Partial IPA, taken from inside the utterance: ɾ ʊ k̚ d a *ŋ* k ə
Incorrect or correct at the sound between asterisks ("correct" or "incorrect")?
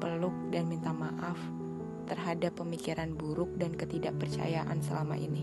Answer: incorrect